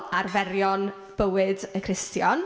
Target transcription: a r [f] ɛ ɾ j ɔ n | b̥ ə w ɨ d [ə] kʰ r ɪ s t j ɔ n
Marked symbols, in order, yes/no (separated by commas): no, yes